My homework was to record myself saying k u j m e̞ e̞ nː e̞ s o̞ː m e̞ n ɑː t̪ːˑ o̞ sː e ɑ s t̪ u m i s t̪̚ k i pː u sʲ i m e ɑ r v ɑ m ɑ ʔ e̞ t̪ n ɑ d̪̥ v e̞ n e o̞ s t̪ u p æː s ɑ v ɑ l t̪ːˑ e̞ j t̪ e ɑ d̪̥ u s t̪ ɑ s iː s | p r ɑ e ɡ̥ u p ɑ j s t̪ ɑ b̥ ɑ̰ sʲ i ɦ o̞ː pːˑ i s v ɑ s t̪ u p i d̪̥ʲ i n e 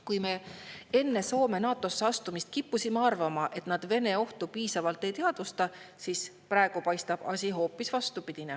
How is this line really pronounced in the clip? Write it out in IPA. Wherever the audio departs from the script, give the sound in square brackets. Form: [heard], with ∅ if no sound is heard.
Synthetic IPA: k u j m e̞ e̞ nː e̞ s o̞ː m e̞ n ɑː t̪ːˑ o̞ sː e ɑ s t̪ u m i s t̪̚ k i pː u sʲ i m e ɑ r v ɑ m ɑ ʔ e̞ t̪ n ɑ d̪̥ v e̞ n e o̞ [h] t̪ u p [iː] s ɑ v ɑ l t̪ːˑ e̞ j t̪ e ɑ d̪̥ u s t̪ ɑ s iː s | p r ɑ e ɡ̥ u p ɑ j s t̪ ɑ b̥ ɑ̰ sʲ i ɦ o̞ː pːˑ i s v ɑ s t̪ u p i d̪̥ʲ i n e